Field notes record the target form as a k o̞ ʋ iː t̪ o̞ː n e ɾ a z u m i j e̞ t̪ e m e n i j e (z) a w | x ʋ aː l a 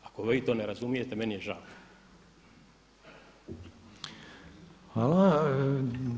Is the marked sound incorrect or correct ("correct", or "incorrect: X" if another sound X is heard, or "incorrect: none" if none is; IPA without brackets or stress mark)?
incorrect: ʒ